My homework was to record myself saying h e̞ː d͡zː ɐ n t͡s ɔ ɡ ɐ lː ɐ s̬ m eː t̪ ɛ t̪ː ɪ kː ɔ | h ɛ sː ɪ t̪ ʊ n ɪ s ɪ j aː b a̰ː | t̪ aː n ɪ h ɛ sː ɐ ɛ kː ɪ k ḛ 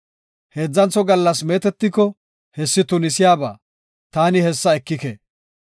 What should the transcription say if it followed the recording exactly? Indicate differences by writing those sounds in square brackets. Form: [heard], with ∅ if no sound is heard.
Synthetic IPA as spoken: h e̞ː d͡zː ɐ n t͡s ɔ ɡ ɐ lː ɐ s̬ m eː t̪ ɛ t̪ː ɪ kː ɔ | h ɛ sː ɪ t̪ ʊ n ɪ s ɪ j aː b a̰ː | t̪ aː n ɪ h ɛ sː ɐ ɛ kː ɪ k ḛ